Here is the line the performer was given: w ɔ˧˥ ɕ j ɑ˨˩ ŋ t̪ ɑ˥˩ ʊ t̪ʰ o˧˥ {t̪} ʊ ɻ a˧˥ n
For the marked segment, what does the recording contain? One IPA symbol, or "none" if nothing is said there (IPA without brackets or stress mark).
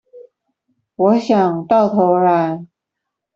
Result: none